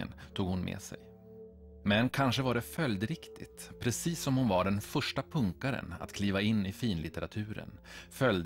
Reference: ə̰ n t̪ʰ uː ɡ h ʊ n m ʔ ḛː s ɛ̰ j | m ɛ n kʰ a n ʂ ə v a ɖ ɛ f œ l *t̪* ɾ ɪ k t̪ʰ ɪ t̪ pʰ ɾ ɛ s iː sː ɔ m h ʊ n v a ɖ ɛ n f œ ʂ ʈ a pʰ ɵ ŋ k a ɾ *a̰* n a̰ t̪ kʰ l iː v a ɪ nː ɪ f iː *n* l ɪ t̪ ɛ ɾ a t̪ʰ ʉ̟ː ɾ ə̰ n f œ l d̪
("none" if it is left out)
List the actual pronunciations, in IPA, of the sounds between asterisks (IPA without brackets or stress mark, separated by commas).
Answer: d̪, ə̰, n